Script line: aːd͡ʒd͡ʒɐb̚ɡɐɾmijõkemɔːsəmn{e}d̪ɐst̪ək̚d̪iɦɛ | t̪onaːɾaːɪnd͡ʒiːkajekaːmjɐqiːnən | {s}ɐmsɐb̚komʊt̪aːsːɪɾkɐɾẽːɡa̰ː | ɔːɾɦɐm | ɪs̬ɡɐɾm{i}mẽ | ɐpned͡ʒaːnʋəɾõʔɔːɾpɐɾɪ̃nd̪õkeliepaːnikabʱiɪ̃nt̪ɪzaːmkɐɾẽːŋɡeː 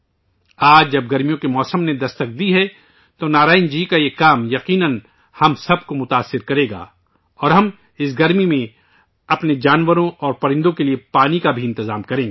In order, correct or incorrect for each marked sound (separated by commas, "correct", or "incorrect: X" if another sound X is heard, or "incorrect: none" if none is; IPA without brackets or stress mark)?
correct, incorrect: h, correct